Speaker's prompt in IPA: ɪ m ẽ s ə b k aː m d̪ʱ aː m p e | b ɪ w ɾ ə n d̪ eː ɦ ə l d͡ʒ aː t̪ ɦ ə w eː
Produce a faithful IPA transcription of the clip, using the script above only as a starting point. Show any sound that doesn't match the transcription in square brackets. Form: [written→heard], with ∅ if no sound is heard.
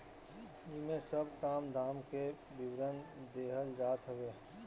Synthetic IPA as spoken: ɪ m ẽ s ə b k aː m d̪ʱ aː m [p→k] e | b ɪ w ɾ ə n d̪ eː ɦ ə l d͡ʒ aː t̪ ɦ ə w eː